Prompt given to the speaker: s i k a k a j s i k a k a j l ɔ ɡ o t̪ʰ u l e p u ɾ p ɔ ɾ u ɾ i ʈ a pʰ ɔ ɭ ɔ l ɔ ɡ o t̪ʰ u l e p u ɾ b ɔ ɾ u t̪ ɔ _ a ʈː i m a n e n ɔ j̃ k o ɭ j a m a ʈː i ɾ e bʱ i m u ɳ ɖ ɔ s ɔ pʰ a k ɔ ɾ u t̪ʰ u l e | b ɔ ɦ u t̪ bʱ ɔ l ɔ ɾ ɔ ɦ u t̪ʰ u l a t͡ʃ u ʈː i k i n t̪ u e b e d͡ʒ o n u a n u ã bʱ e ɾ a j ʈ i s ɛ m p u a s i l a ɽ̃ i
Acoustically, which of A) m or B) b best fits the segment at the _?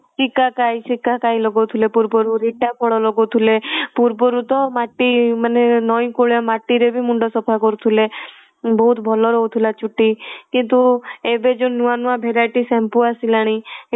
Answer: A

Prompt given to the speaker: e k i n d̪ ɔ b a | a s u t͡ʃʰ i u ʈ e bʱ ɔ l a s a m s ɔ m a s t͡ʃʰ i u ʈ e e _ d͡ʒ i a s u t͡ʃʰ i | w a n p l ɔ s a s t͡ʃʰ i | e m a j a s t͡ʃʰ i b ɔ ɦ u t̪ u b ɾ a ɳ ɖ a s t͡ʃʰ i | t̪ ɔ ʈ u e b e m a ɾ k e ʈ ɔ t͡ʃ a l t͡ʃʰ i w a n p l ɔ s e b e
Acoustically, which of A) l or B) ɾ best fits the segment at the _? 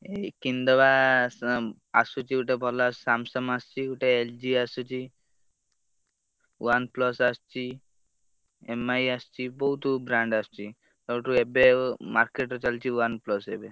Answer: A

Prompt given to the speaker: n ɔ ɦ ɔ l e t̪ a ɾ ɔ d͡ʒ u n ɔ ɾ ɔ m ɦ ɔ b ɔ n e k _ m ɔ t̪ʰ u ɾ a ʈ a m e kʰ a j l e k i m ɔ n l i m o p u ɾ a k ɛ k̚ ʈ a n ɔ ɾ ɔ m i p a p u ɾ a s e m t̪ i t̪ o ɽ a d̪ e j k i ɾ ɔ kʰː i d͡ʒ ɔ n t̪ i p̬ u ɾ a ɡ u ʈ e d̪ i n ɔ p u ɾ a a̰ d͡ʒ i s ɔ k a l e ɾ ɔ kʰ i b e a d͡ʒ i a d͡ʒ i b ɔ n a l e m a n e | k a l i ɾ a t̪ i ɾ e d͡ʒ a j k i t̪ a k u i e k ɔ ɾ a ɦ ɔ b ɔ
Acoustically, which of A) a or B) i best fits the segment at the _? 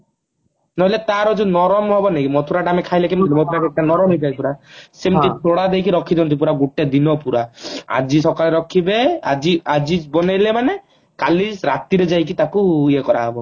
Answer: B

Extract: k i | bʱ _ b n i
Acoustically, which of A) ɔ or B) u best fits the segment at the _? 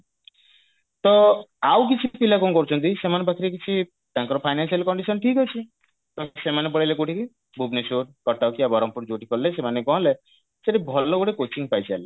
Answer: B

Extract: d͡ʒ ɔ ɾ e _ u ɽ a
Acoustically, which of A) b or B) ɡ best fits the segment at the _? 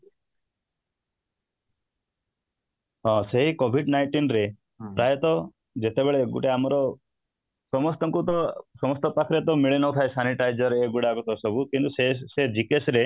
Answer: B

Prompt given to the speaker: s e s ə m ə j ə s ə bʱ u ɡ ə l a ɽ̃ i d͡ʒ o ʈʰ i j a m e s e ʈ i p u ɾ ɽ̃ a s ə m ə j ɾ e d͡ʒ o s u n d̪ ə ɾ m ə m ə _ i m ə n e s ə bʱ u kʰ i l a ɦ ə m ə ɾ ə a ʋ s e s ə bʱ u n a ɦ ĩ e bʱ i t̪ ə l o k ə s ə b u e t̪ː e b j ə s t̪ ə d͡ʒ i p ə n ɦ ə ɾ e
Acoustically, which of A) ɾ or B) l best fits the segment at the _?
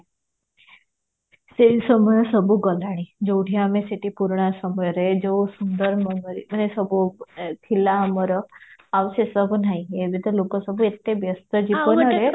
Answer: A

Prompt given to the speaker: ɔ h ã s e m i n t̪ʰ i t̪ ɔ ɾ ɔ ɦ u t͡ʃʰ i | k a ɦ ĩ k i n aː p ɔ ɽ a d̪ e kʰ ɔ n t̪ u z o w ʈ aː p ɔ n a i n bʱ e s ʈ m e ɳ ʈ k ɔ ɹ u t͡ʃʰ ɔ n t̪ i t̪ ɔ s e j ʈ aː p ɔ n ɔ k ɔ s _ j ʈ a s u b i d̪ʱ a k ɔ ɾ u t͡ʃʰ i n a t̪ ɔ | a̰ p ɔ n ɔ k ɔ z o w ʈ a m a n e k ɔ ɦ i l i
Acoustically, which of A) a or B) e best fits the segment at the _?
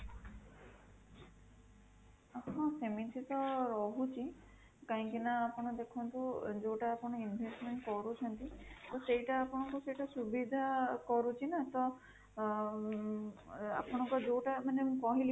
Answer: B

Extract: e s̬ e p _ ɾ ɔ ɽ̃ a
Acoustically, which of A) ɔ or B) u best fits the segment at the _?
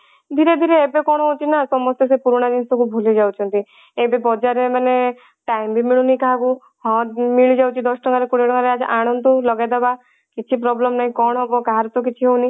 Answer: B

